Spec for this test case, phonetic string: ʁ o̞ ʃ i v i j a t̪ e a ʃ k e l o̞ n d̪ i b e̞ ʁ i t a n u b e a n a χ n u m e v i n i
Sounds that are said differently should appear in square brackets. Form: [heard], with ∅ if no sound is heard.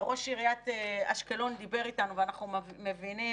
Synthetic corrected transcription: ʁ o̞ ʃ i [ʁ] i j a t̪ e a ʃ k e l o̞ n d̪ i b e̞ ʁ i t a n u [v] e a n a χ n u m e v i n i